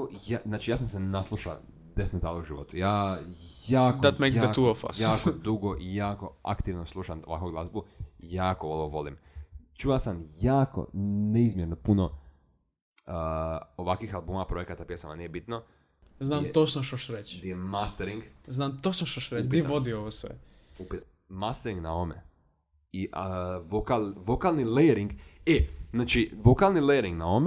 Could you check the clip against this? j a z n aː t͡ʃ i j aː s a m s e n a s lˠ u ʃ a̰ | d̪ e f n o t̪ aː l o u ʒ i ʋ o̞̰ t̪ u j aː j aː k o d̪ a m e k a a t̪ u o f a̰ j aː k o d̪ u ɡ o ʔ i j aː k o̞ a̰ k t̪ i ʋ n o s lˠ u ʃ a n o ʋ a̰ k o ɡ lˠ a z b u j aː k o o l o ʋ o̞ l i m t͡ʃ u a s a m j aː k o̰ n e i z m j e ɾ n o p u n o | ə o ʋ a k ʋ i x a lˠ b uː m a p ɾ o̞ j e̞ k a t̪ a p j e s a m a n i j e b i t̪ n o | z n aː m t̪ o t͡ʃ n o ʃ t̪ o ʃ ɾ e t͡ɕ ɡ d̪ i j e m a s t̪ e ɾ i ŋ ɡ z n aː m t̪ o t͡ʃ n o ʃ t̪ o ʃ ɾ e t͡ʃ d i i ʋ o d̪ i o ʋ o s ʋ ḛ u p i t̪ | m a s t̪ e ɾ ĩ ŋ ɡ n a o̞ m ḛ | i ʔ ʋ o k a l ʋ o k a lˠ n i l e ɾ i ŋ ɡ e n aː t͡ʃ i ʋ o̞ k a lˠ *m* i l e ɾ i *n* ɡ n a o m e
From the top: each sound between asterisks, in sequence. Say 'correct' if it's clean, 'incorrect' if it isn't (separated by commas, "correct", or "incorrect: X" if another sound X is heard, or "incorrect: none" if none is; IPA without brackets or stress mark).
incorrect: n, incorrect: ŋ